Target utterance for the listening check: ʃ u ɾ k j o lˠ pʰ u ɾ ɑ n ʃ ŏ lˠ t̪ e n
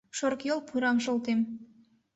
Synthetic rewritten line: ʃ o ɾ k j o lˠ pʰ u ɾ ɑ m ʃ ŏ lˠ t̪ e m